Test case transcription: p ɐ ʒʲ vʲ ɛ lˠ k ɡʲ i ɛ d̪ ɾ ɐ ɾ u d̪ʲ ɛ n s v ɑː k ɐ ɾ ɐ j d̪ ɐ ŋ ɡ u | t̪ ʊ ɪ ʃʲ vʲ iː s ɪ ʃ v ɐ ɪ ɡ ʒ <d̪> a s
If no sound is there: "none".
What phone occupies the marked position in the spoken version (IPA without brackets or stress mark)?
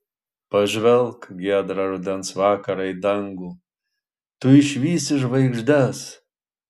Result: d̪